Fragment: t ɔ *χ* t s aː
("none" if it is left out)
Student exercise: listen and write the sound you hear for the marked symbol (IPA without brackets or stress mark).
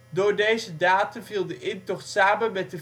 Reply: χ